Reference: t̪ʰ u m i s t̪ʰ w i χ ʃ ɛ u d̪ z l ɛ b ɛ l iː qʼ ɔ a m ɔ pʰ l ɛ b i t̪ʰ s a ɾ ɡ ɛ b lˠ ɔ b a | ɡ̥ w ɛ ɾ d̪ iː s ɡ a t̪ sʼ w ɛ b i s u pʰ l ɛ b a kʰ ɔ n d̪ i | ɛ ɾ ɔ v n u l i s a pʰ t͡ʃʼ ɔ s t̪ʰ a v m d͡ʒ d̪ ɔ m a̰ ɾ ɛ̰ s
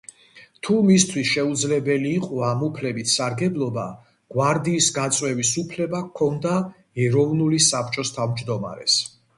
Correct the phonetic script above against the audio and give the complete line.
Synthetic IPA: t̪ʰ u m i s t̪ʰ w i s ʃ ɛ u d̪ z l ɛ b ɛ l iː qʼ ɔ a m u pʰ l ɛ b i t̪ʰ s a ɾ ɡ ɛ b lˠ ɔ b a | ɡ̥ w a ɾ d̪ iː s ɡ a t̪ sʼ w ɛ v i s u pʰ l ɛ b a kʰ ɔ n d̪ a | ɛ ɾ ɔ v n u l i s a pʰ t͡ʃʼ ɔ s t̪ʰ a v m d͡ʒ d̪ ɔ m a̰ ɾ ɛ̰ s